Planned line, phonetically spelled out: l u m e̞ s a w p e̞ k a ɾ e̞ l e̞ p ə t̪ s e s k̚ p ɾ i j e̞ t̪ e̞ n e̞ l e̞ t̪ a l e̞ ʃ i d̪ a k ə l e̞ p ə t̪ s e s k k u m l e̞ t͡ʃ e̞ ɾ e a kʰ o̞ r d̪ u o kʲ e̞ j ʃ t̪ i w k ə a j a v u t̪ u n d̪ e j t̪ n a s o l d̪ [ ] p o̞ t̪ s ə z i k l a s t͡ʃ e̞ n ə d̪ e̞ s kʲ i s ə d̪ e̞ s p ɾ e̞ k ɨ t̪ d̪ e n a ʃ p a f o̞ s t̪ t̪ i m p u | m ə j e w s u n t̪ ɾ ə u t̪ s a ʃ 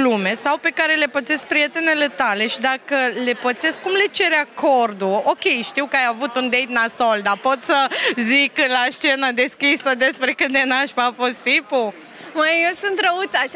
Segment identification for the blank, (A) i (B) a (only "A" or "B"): B